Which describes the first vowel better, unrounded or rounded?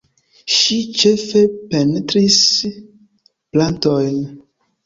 unrounded